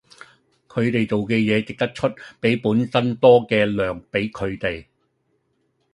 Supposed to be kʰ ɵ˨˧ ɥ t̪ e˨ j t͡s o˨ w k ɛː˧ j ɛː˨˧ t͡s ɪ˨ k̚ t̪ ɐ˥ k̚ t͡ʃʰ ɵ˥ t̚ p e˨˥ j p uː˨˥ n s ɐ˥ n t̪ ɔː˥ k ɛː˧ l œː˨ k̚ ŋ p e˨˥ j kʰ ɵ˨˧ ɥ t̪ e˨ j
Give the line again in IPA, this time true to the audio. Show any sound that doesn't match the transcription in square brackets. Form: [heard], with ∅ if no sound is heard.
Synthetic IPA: kʰ ɵ˨˧ ɥ t̪ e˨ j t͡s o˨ w k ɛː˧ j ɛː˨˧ t͡s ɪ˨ k̚ t̪ ɐ˥ k̚ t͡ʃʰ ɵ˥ t̚ p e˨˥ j p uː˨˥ n s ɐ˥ n t̪ ɔː˥ k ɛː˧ l œː˨ [∅] ŋ p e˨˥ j kʰ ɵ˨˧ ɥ t̪ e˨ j